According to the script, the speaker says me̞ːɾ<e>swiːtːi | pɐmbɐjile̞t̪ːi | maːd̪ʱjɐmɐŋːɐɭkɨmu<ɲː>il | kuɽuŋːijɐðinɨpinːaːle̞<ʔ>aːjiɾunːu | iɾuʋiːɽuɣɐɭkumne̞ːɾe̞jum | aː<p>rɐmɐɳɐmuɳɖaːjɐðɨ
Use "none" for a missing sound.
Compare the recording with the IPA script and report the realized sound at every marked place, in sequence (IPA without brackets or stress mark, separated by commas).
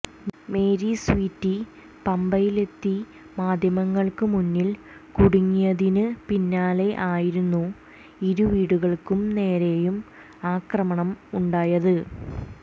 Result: i, nː, ʔ, k